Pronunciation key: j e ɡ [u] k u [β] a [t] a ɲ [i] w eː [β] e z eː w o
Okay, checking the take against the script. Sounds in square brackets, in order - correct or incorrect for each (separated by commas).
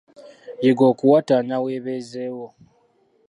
incorrect, incorrect, correct, incorrect, correct